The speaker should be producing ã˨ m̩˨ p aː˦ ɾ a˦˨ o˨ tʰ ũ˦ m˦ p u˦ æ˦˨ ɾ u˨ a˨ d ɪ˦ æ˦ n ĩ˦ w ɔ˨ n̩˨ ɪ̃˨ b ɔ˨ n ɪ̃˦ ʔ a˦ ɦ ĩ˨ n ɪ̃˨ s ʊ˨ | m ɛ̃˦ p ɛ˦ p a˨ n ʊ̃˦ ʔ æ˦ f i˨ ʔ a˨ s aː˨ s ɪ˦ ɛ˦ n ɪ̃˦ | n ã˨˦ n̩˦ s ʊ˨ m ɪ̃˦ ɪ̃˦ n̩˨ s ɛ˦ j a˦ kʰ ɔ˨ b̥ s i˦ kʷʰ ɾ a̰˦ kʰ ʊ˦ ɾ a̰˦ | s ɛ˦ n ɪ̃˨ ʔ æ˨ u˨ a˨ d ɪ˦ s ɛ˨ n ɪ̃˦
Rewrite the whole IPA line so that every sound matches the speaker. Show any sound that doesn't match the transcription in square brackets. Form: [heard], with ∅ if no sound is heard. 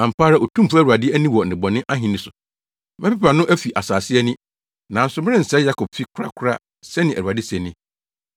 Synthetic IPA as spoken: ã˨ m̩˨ p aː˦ ɾ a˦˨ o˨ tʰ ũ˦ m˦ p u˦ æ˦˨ ɾ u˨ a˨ d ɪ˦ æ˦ n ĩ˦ w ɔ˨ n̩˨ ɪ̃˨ b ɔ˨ n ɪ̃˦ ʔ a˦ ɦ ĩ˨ n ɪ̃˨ s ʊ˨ | m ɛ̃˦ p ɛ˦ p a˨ n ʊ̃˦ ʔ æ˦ f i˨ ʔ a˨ s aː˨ s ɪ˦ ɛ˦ n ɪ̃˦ | n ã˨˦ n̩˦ s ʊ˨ m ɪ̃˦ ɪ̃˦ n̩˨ s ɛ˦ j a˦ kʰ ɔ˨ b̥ [f] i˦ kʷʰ ɾ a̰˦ kʰ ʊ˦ ɾ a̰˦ | s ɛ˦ n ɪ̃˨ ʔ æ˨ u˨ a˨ d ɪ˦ s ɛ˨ n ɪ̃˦

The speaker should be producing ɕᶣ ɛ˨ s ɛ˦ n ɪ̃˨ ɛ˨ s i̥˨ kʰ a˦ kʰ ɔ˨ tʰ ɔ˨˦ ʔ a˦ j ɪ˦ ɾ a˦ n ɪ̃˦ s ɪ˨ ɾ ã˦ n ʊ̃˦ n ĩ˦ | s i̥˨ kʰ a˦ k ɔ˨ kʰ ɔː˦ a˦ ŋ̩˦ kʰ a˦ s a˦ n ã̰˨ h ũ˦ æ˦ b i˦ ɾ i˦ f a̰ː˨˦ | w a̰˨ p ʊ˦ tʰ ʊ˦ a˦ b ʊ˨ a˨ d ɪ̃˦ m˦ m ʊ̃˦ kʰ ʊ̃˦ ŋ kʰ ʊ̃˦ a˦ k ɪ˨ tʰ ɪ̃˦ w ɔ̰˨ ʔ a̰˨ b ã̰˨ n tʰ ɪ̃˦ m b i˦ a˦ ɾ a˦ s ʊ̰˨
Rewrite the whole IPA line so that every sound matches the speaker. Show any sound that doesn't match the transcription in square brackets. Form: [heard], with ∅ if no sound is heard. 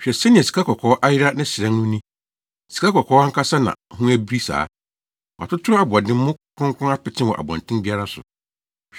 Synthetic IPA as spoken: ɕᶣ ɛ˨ s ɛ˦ n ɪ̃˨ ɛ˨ s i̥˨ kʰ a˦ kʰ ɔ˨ [kʰ] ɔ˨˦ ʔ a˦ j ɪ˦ ɾ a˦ n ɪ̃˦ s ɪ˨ ɾ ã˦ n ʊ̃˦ n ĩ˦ | s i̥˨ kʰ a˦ k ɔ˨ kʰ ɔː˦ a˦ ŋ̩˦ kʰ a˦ s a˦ n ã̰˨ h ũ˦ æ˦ b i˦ ɾ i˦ [s] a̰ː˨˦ | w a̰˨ [t] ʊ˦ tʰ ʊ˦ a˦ b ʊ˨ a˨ d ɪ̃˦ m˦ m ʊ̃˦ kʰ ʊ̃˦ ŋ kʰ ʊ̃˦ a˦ [p] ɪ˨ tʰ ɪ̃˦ w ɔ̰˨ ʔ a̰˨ b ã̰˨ n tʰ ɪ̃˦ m b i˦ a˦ ɾ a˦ s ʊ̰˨

